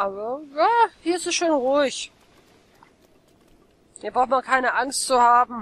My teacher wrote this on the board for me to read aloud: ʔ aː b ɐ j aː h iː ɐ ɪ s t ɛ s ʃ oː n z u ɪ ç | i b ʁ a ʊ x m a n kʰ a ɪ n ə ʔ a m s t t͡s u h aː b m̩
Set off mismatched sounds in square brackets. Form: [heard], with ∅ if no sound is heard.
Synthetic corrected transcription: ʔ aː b ɐ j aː h iː ɐ ɪ s t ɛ s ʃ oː n [ʁ] u ɪ ç | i b ʁ a ʊ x m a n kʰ a ɪ n ə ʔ a [ŋ] s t t͡s u h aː b m̩

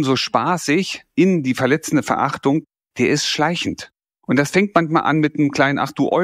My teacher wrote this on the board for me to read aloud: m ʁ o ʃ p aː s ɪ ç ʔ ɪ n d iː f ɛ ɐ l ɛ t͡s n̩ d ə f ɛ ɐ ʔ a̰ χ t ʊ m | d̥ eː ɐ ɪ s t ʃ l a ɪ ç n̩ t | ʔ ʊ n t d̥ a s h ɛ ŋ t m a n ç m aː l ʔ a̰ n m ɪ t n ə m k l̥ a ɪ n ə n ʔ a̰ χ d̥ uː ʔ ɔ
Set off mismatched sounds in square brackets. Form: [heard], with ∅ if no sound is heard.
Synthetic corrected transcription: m [z] o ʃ p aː s ɪ ç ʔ ɪ n d iː f ɛ ɐ l ɛ t͡s n̩ d ə f ɛ ɐ ʔ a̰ χ t ʊ [ŋ] | d̥ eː ɐ ɪ s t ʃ l a ɪ ç n̩ t | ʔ ʊ n t d̥ a s [f] ɛ ŋ t m a n ç m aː l ʔ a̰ n m ɪ t n ə m k l̥ a ɪ n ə n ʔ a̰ χ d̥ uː ʔ ɔ

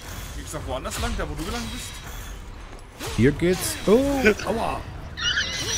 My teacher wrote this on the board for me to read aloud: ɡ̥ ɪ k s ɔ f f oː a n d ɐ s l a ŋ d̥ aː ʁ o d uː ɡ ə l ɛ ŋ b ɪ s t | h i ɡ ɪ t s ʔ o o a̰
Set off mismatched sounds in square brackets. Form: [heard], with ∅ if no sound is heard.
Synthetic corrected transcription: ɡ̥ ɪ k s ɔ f [v] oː a n d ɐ s l a ŋ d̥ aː [v] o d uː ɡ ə l [a] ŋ b ɪ s t | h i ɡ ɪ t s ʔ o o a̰

